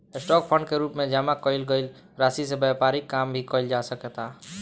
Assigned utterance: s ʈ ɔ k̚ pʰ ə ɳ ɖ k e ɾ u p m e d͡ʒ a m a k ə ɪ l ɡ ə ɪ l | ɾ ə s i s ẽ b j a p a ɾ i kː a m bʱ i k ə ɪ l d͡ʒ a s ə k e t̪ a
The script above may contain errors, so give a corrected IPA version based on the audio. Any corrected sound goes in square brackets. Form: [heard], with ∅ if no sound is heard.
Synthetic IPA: s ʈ ɔ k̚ pʰ ə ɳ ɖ k e ɾ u p m e d͡ʒ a m a k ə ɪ l ɡ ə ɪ l | ɾ [a] s i s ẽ b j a p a ɾ i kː a m bʱ i k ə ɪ l d͡ʒ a s ə k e t̪ a